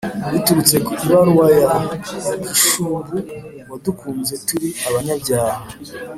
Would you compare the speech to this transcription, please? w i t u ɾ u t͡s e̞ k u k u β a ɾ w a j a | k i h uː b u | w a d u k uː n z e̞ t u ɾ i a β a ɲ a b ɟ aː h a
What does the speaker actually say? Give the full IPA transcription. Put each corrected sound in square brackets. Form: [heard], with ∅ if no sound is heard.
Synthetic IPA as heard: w i t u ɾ u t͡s e̞ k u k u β a ɾ w a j a | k i [ʃ] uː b u | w a d u k uː n z e̞ t u ɾ i a β a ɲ a b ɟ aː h a